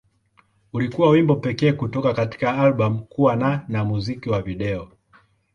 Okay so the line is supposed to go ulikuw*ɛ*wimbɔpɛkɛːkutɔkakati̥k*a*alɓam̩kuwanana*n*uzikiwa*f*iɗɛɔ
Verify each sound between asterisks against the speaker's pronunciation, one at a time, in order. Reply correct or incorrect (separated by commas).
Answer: incorrect, correct, incorrect, incorrect